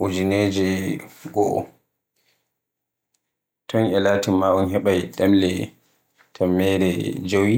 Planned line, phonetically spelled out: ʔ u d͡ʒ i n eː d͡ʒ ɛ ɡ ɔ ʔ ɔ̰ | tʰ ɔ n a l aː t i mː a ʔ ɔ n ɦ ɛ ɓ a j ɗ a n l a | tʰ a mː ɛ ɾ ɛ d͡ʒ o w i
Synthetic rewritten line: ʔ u d͡ʒ i n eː d͡ʒ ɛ ɡ ɔ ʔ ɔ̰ | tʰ ɔ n ɛ l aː t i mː a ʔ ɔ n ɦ ɛ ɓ a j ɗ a m l ɛ | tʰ a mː ɛ ɾ ɛ d͡ʒ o w i